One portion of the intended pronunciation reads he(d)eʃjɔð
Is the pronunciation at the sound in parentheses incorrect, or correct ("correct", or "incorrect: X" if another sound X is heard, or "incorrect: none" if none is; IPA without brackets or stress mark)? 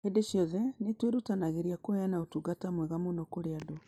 correct